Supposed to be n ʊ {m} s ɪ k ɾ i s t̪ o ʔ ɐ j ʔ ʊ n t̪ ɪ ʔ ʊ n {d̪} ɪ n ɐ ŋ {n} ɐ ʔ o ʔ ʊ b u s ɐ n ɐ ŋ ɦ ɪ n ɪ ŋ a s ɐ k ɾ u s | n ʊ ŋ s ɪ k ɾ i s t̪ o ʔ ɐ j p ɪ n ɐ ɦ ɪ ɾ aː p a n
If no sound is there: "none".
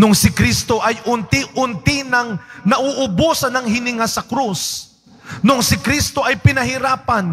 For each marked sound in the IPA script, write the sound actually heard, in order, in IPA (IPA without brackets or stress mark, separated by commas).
ŋ, t̪, n